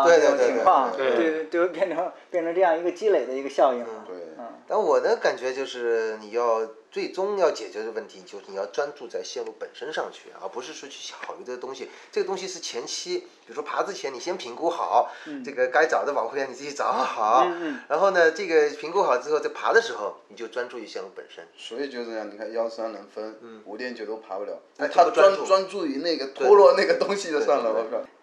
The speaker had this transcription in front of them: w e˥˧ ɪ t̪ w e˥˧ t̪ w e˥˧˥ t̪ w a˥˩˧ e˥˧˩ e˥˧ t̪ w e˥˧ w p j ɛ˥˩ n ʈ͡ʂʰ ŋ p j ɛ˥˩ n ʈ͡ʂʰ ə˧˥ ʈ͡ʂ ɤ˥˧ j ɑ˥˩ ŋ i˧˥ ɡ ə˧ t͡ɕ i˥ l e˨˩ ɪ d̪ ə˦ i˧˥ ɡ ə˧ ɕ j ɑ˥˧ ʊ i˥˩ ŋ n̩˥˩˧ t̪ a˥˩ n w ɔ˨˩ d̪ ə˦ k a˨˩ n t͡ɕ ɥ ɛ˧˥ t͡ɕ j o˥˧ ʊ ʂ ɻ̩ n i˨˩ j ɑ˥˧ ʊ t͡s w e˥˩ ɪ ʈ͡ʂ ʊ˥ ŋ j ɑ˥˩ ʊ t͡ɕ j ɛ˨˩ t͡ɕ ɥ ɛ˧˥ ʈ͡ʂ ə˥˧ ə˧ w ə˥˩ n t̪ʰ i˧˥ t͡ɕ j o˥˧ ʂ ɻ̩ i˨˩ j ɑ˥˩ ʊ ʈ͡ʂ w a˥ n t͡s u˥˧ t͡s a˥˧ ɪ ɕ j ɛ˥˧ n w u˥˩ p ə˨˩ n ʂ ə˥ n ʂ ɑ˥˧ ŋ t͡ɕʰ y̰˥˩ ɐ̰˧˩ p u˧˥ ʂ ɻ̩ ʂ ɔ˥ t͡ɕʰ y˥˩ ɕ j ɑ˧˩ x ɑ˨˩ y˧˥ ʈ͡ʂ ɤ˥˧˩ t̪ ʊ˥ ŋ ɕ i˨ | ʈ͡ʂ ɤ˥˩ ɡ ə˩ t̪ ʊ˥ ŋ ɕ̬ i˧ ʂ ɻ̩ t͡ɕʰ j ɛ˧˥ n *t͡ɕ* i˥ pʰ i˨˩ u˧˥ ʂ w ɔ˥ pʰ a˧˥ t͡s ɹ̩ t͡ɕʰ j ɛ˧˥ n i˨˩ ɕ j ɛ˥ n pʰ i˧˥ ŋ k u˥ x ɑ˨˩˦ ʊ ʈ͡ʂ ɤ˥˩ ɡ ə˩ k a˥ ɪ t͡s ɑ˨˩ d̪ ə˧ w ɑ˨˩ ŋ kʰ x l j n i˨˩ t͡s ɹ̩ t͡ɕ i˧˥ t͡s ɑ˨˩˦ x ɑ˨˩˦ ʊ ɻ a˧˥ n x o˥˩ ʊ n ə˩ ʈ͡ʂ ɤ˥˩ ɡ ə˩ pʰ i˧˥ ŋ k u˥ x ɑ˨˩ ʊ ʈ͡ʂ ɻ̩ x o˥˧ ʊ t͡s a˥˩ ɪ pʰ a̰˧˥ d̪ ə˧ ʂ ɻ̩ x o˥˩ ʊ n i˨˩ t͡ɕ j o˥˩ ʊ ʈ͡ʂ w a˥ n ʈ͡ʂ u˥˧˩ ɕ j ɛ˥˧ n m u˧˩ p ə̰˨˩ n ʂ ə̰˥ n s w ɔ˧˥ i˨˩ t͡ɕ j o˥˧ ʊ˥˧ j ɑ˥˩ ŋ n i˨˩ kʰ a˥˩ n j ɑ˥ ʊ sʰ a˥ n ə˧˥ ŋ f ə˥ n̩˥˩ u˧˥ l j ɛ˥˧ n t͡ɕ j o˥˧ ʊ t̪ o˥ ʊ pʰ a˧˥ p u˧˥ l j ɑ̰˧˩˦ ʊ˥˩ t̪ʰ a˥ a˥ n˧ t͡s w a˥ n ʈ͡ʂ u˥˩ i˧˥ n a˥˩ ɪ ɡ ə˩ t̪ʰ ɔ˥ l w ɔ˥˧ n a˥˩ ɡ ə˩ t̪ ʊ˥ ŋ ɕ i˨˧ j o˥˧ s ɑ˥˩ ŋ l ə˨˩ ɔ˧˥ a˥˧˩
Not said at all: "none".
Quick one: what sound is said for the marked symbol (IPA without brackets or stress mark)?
t͡ɕʰ